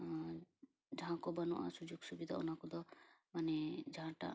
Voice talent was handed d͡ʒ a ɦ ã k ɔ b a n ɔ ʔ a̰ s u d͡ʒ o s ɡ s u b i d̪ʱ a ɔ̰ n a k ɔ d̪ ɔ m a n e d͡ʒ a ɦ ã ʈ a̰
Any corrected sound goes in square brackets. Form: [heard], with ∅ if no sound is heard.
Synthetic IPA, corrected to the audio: d͡ʒ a ɦ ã k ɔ b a n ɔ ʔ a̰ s u d͡ʒ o [∅] ɡ s u b i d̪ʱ a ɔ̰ n a k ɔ d̪ ɔ m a n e d͡ʒ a ɦ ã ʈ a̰